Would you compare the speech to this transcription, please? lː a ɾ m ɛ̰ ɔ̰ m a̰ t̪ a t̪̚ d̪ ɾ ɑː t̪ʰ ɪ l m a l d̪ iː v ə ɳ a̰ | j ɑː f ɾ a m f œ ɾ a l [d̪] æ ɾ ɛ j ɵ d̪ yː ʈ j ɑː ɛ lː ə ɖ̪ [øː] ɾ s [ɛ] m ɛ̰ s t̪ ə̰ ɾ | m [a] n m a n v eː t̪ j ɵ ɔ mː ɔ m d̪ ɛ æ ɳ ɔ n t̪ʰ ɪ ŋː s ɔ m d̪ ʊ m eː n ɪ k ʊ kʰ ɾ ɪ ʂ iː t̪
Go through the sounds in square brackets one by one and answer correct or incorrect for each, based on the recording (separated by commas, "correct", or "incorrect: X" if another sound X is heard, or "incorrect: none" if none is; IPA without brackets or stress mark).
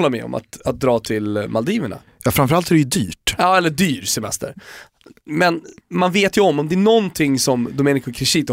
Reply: incorrect: t̪, incorrect: yː, correct, incorrect: ɛ